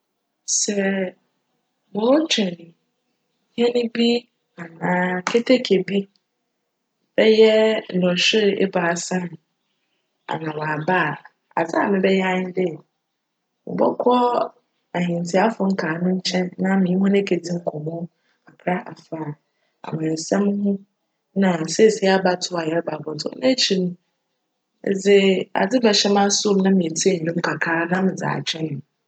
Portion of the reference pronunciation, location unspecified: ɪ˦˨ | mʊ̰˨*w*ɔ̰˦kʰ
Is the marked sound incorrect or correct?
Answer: incorrect: b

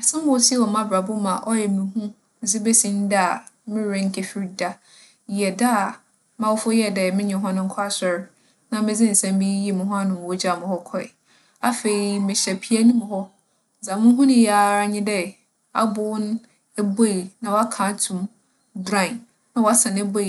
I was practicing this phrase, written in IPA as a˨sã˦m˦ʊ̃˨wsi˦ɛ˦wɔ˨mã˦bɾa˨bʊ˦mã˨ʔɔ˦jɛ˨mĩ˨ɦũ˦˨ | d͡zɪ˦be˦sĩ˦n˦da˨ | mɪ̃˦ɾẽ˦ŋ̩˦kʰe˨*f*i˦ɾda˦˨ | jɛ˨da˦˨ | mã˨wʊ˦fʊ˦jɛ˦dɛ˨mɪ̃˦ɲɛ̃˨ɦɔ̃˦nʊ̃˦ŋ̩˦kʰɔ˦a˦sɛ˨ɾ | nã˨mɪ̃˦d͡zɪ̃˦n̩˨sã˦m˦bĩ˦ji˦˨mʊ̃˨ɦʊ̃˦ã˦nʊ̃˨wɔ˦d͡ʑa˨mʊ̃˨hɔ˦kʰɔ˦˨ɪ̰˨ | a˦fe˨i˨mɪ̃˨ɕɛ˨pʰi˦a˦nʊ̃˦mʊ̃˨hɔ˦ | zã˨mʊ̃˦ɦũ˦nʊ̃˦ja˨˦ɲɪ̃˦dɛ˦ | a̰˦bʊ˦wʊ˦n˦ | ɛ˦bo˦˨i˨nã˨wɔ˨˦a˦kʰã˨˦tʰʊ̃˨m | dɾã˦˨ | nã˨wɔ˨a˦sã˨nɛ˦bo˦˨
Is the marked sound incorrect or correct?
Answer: correct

